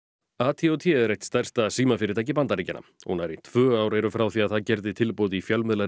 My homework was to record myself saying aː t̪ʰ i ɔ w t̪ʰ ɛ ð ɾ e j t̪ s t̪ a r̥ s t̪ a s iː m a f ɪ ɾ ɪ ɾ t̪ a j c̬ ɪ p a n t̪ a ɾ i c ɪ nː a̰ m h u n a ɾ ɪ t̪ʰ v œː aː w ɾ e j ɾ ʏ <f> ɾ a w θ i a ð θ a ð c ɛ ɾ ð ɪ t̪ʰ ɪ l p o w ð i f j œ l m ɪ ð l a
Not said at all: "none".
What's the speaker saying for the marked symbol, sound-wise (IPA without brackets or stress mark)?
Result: f